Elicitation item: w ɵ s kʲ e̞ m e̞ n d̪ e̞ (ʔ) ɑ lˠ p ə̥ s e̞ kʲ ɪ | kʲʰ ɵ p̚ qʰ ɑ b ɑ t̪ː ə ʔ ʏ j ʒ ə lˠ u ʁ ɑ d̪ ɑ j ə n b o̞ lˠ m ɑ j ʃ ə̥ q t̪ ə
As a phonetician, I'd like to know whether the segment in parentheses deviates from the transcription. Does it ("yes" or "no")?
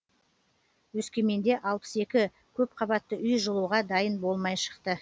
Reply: no